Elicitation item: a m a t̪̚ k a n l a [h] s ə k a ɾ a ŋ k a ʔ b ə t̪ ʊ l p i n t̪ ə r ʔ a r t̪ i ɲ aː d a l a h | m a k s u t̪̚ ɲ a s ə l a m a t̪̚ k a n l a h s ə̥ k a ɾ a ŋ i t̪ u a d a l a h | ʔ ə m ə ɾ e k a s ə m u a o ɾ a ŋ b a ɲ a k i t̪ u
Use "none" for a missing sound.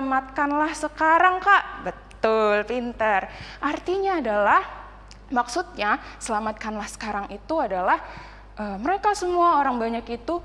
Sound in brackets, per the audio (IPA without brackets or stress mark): h